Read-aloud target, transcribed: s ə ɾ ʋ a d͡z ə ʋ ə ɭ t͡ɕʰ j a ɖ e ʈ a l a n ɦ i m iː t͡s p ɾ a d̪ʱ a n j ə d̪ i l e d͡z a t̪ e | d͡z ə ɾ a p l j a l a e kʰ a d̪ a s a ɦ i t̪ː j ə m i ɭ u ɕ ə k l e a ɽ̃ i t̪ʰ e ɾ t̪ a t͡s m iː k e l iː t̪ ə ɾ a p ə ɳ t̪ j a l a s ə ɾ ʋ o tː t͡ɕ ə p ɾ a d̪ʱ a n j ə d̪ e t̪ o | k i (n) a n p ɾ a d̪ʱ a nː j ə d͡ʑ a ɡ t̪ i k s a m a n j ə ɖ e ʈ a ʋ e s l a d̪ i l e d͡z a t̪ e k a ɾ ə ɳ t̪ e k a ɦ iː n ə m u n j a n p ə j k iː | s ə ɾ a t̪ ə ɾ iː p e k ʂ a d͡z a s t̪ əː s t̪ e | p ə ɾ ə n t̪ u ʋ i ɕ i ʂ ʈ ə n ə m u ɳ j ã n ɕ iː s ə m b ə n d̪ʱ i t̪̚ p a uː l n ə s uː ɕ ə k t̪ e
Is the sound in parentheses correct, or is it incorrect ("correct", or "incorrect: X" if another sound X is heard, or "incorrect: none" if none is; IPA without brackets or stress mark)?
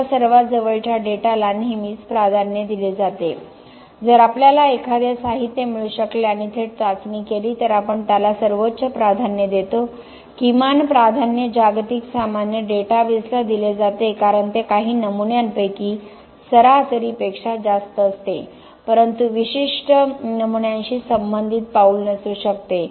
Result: incorrect: m